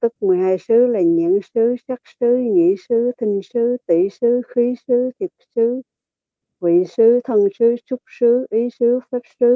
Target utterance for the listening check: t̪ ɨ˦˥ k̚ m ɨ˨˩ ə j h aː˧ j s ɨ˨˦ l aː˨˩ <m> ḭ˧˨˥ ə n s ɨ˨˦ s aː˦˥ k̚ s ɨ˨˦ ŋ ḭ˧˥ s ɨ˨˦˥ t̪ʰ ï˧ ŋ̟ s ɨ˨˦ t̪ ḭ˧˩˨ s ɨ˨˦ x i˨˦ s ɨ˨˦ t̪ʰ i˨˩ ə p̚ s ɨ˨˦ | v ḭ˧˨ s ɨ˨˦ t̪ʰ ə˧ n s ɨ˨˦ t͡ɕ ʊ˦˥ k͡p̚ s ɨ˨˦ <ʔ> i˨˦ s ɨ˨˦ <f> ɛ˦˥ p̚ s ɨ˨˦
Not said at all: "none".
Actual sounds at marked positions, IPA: ɲ, ʔ, f

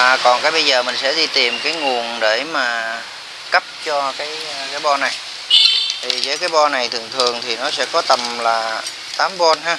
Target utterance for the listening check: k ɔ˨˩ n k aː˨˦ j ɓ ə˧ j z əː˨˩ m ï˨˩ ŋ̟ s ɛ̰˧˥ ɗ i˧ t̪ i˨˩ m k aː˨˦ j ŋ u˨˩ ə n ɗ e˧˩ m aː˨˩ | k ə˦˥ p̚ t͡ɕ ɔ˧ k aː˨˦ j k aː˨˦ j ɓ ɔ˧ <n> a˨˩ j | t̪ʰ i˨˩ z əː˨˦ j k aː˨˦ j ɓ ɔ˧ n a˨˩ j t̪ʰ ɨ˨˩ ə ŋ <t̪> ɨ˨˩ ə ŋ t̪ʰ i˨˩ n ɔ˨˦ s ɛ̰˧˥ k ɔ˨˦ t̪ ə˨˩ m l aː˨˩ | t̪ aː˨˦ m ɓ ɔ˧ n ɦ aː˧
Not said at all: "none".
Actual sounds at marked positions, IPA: n, t̪ʰ

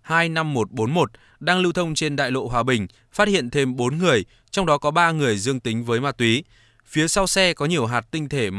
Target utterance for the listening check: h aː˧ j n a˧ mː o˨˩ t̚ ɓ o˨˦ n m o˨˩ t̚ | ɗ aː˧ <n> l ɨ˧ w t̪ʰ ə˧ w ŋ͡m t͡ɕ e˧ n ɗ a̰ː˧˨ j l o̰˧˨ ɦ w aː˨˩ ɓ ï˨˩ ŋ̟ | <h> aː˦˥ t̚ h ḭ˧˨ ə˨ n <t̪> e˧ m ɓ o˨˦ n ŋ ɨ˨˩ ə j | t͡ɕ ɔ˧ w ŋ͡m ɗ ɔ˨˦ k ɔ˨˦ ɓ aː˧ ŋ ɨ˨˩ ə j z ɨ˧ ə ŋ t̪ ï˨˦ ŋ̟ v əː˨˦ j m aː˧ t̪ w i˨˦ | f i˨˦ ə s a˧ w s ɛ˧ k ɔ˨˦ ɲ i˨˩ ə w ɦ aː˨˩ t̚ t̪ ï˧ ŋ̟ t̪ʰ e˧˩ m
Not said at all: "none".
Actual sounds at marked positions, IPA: ŋ, f, t̪ʰ

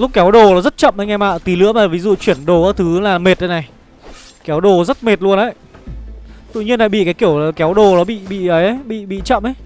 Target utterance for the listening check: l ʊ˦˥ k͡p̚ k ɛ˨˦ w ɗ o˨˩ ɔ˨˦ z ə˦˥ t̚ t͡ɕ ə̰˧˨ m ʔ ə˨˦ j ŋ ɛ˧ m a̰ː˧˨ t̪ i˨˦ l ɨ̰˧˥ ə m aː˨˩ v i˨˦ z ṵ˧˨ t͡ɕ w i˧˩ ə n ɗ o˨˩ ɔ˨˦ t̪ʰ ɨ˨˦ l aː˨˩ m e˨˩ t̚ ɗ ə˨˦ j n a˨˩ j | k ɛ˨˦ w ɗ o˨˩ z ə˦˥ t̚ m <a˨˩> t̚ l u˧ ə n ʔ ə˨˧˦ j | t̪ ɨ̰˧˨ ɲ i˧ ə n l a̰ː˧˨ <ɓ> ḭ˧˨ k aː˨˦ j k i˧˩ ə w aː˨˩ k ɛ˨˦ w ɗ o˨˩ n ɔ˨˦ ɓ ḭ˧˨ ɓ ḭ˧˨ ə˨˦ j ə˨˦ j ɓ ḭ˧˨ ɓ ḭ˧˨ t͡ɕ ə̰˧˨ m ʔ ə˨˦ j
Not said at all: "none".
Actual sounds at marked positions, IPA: e˨˩, ɓ

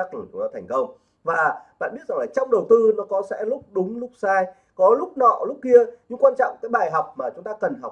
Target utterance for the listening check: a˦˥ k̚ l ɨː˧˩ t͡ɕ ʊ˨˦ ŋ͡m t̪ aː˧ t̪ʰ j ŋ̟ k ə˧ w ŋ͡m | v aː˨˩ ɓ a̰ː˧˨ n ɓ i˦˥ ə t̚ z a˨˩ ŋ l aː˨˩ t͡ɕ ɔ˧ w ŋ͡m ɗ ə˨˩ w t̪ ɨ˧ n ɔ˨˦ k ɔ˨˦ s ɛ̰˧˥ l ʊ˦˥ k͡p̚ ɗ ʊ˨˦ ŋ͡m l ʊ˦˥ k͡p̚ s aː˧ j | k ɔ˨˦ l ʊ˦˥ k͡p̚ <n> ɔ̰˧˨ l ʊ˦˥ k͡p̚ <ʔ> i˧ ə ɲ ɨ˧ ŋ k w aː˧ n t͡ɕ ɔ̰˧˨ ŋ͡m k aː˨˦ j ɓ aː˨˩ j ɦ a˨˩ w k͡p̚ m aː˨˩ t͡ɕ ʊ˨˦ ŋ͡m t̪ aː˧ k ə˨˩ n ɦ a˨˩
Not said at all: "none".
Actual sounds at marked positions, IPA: n, k

